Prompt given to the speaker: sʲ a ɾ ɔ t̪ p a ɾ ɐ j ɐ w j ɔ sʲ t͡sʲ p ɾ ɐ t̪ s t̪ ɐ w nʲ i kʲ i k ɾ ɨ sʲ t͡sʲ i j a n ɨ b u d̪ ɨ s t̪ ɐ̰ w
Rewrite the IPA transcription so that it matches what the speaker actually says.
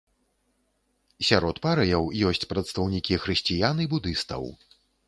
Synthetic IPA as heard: sʲ a ɾ ɔ t̪ p a ɾ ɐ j ɐ w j ɔ sʲ t͡sʲ p ɾ ɐ t̪ s t̪ ɐ w nʲ i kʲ i x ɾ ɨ sʲ t͡sʲ i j a n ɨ b u d̪ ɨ s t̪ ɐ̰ w